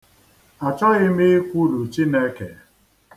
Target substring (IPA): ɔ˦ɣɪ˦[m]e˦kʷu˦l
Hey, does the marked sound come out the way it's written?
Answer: yes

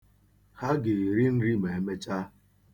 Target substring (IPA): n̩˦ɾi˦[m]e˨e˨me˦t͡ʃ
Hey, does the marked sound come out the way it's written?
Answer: yes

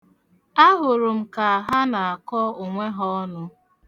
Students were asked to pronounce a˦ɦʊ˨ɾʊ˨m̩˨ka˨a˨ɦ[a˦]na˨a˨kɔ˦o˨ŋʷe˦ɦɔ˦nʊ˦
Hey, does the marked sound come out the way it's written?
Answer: yes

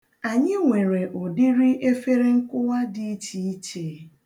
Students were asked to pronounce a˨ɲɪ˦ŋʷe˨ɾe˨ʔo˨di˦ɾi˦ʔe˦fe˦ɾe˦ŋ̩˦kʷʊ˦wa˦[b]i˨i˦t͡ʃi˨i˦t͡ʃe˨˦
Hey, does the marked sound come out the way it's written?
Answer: no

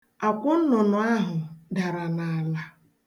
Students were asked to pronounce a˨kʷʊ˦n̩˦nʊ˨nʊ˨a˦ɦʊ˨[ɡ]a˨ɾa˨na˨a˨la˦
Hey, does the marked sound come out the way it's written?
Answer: no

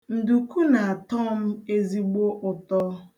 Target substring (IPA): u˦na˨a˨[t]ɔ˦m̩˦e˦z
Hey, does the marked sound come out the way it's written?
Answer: yes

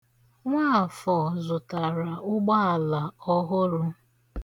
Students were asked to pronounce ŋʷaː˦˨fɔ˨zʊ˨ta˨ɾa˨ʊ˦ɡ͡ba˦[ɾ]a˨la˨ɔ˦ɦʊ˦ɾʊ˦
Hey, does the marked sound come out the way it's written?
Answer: no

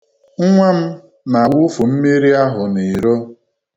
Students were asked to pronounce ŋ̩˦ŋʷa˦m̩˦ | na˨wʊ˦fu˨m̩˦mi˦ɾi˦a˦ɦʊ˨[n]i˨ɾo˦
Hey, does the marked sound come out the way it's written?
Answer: yes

